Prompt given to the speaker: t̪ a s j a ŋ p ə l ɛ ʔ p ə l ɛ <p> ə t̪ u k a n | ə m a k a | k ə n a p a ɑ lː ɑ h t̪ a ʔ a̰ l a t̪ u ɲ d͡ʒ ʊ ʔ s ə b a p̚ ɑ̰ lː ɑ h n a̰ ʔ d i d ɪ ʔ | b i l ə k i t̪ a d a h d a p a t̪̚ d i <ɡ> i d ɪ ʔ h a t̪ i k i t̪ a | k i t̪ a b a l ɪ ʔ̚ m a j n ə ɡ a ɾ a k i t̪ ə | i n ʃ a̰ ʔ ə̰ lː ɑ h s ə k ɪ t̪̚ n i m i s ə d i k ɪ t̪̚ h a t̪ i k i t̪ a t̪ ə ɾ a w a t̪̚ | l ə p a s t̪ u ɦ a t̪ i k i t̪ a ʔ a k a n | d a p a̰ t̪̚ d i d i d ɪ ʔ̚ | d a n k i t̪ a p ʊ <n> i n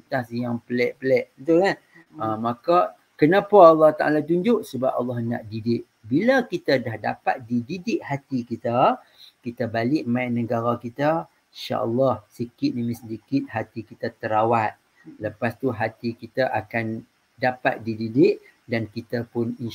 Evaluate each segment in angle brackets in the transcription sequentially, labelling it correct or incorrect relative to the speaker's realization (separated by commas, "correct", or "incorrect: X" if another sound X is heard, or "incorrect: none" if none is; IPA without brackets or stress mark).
incorrect: ʔ, incorrect: d, correct